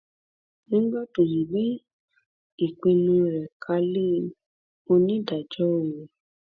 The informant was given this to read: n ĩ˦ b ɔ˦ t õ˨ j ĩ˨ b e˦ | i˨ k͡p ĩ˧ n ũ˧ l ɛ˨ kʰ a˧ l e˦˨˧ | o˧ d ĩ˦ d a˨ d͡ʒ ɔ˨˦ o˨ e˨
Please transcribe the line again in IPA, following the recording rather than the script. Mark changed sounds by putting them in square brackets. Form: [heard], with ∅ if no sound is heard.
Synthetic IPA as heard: n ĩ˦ [ɡ͡b] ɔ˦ t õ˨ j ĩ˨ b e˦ | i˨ k͡p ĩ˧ n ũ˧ [ɾ] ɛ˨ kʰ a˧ l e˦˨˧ | o˧ [n] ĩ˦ d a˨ d͡ʒ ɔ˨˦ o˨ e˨

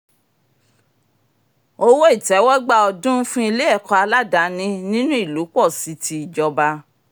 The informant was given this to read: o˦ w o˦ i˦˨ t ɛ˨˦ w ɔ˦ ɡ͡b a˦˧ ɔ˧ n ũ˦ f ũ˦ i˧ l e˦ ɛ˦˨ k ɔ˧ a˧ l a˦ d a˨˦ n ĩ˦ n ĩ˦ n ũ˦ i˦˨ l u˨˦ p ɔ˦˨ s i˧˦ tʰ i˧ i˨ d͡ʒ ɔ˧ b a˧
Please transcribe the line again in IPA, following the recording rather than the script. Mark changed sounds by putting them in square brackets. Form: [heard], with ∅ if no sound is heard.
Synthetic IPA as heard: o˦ w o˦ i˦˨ t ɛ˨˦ w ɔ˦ ɡ͡b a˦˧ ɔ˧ [d] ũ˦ f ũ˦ i˧ l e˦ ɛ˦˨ k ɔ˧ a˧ l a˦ d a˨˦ n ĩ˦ n ĩ˦ n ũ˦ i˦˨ l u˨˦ [k͡p] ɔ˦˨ s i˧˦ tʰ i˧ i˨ d͡ʒ ɔ˧ b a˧

